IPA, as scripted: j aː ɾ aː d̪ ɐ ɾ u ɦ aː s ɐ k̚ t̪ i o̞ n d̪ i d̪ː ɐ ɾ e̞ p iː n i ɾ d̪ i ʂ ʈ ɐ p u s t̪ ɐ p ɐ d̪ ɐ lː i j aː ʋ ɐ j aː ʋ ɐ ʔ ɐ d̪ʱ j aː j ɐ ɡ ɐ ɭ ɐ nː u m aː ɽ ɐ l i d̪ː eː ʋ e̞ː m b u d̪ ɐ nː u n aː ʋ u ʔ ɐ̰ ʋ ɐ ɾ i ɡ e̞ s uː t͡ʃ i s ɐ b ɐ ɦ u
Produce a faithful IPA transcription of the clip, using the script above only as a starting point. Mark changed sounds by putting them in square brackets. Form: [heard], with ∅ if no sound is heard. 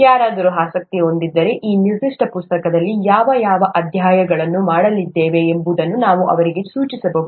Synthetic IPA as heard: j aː ɾ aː d̪ ɐ ɾ u ɦ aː s ɐ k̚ t̪ i o̞ n d̪ i d̪ː ɐ ɾ e̞ [ʔ] iː n i ɾ d̪ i ʂ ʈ ɐ p u s t̪ ɐ [k] ɐ d̪ ɐ lː i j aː ʋ ɐ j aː ʋ ɐ ʔ ɐ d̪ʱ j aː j ɐ ɡ ɐ ɭ ɐ nː u m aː ɽ ɐ l i d̪ː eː ʋ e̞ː m b u d̪ ɐ nː u n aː ʋ u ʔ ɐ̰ ʋ ɐ ɾ i ɡ e̞ s uː t͡ʃ i s ɐ b ɐ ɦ u